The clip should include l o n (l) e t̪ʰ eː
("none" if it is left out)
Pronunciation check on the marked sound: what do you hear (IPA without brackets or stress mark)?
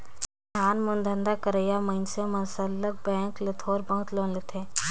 l